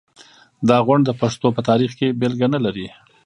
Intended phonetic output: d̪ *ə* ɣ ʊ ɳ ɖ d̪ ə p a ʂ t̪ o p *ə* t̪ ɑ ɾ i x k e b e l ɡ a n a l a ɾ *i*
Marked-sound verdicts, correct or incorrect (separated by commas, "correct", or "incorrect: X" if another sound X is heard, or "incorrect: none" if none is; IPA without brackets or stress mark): incorrect: ɑ, correct, correct